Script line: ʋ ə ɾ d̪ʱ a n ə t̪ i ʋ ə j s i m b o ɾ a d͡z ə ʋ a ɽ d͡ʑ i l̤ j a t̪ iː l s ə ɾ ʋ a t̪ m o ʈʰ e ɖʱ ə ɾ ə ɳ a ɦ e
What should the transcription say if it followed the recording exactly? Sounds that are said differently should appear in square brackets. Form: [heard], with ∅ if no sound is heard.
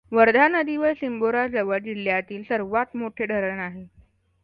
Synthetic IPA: ʋ ə ɾ d̪ʱ a n ə [d̪] i ʋ ə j s i m b o ɾ a d͡z ə ʋ [ə] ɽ d͡ʑ i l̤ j a t̪ iː l s ə ɾ ʋ a t̪ m o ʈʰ e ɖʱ ə ɾ ə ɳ a ɦ e